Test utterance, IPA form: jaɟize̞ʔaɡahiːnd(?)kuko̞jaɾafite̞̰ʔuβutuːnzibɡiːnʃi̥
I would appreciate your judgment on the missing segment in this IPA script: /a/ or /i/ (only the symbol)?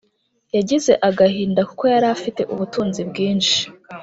a